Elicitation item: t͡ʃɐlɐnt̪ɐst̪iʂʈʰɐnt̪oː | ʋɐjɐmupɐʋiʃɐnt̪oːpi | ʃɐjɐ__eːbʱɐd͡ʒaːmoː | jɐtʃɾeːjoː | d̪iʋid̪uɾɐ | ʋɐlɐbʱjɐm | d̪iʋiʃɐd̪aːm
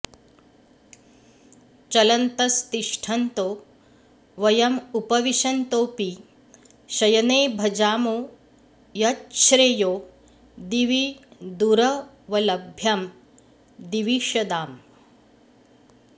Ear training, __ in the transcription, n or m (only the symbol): n